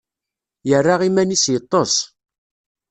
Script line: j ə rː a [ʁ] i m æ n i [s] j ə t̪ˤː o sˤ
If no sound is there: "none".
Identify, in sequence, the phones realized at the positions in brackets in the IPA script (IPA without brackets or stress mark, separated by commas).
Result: ʁ, s